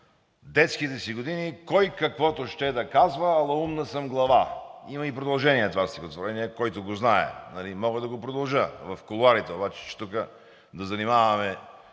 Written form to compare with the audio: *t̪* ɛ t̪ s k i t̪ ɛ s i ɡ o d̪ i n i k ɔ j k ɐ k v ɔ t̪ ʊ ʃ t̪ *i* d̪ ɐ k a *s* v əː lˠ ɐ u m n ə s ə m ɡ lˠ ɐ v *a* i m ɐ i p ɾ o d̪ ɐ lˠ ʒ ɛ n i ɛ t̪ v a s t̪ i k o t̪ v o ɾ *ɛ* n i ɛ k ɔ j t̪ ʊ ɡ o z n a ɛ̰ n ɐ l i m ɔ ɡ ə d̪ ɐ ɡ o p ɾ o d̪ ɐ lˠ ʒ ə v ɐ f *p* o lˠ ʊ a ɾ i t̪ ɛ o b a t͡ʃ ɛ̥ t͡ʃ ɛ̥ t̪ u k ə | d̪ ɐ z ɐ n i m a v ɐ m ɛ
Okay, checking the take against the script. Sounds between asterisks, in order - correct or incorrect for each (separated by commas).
incorrect, incorrect, incorrect, correct, correct, incorrect